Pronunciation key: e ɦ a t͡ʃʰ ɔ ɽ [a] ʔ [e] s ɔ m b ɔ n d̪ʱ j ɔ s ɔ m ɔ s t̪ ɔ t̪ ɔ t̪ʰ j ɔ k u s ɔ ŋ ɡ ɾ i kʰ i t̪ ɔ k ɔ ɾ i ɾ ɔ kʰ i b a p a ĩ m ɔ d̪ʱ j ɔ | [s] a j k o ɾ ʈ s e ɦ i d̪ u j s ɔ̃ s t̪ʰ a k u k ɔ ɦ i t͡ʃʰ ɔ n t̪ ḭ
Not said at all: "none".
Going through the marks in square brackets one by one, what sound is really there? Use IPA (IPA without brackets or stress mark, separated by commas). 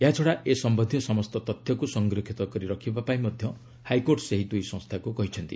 a, e, h